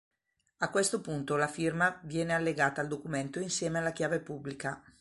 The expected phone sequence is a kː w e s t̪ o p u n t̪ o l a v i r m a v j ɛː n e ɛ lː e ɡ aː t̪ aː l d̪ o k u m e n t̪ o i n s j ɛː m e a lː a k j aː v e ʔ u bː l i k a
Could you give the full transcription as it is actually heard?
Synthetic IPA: a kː w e s t̪ o p u n t̪ o l a f i r m a v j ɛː n e a lː e ɡ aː t̪ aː l d̪ o k u m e n t̪ o i n s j ɛː m e a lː a k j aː v e p u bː l i k a